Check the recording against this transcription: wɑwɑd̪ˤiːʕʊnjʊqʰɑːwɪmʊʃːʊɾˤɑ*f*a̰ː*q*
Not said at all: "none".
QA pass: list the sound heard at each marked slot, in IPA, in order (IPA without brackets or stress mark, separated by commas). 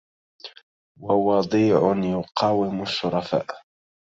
f, ʔ